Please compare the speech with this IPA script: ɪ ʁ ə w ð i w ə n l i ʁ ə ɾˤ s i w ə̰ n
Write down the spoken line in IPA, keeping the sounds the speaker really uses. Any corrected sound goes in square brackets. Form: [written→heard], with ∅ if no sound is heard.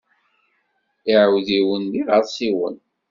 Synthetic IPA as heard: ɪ [ʁ→ʕ] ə w ð i w ə n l i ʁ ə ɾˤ s i w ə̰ n